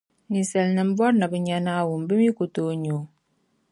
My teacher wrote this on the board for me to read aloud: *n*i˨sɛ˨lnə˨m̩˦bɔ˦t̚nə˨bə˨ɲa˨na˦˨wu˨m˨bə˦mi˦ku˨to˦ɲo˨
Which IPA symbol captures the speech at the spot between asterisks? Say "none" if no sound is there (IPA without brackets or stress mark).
n